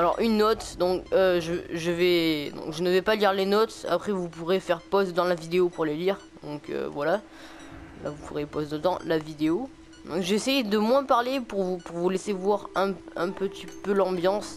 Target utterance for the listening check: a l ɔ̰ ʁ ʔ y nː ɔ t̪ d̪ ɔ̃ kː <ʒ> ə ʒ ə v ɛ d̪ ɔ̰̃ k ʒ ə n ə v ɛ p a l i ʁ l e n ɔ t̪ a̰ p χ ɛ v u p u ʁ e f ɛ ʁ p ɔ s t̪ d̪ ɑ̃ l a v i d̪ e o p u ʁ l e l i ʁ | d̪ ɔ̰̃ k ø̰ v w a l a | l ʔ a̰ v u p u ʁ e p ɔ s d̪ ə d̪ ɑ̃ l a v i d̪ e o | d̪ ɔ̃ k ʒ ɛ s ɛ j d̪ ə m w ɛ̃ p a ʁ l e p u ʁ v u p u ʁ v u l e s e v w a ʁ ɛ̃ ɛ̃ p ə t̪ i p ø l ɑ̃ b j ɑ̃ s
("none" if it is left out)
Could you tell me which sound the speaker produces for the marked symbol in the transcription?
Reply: ʒ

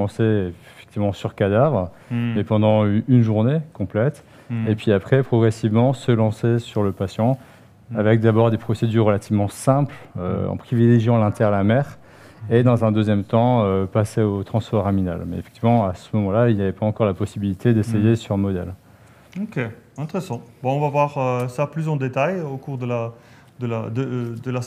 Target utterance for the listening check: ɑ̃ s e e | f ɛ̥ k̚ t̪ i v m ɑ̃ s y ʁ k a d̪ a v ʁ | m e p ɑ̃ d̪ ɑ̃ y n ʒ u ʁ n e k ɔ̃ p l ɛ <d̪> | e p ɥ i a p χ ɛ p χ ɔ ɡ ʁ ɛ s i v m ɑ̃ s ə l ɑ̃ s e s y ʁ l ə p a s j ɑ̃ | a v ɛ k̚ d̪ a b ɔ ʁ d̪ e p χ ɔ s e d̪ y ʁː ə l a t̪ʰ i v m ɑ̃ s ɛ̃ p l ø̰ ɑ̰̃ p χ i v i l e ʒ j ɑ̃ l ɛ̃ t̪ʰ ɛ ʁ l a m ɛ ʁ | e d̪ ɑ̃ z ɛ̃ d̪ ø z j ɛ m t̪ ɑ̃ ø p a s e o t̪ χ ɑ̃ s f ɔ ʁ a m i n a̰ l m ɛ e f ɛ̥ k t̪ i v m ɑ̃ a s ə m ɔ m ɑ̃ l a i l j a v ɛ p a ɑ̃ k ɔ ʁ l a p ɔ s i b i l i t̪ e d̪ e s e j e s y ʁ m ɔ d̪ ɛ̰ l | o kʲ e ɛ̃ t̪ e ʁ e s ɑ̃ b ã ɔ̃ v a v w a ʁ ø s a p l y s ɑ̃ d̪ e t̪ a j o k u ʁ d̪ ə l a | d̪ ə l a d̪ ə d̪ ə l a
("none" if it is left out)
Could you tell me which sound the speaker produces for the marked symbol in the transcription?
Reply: t̪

